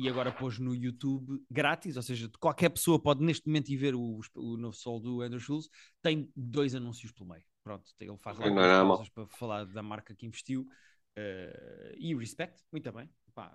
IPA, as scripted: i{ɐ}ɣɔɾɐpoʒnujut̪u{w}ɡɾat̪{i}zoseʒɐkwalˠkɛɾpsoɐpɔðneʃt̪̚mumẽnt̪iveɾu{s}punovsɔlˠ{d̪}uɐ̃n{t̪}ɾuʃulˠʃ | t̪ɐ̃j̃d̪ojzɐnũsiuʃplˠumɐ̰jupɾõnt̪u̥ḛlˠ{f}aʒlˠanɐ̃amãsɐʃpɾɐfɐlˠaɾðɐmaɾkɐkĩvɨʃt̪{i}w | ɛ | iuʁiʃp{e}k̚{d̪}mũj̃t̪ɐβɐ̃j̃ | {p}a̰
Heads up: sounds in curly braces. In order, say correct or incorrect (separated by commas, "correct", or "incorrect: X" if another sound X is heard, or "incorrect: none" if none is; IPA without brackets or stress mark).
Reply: correct, incorrect: β, correct, incorrect: ʃ, correct, incorrect: d̪, correct, correct, incorrect: ɛ, incorrect: t̪, correct